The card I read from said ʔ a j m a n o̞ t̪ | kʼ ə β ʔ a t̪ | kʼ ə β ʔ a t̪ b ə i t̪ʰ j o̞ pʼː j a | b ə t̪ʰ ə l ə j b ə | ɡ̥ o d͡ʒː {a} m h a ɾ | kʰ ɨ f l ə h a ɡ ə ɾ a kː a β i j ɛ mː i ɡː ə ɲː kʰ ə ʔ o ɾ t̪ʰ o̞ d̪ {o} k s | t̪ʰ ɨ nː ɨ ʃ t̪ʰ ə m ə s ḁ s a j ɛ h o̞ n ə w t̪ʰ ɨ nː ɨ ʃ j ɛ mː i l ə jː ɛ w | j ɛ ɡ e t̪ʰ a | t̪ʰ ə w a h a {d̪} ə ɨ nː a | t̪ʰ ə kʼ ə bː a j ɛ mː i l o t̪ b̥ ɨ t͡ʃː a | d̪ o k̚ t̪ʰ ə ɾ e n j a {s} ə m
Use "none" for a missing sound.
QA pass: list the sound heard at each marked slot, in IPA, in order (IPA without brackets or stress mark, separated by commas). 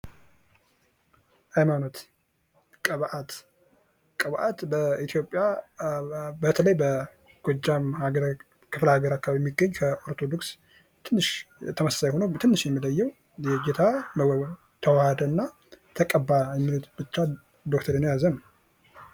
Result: a, o, d̪, z